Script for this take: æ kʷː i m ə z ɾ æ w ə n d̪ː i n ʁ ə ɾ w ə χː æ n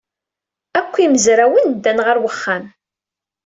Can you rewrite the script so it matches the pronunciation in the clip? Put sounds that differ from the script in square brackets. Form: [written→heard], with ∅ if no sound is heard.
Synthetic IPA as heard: æ kʷː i m ə z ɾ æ w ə n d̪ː [i→æ] n ʁ ə ɾ w ə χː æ [n→m]